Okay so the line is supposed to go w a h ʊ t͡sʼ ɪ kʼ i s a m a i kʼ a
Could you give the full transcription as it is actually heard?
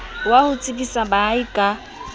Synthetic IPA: w a h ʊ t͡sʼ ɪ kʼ i s a b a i kʼ a